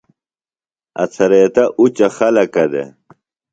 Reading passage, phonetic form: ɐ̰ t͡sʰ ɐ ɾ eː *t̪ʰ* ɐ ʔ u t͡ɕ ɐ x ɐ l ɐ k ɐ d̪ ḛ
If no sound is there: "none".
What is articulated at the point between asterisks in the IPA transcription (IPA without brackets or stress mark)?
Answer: t̪